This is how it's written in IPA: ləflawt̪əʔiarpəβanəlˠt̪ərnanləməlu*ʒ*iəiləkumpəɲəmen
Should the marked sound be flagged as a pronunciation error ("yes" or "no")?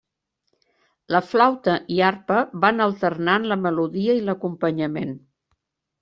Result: yes